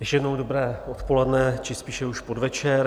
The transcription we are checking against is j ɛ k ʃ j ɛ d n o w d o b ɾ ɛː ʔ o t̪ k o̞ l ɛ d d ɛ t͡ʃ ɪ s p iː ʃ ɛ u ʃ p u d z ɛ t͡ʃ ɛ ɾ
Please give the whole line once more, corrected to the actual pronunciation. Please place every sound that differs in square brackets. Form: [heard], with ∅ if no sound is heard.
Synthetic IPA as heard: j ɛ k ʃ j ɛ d n o w d o b ɾ ɛː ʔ o t̪ [p] o̞ l ɛ d [n] ɛ t͡ʃ ɪ s p iː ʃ ɛ u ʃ p [o] d [v] ɛ t͡ʃ ɛ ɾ